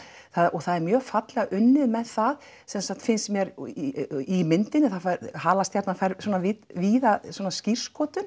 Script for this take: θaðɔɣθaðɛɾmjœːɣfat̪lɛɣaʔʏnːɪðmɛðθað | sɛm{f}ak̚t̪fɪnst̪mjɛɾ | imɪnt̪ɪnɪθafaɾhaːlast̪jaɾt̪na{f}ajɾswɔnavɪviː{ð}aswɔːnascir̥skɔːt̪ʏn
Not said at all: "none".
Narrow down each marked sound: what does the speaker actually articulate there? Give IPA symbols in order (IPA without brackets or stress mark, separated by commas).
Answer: s, f, ð